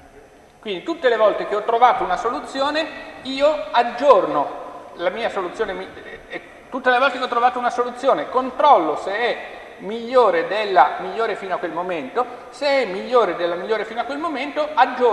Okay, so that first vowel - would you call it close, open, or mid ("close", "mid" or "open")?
close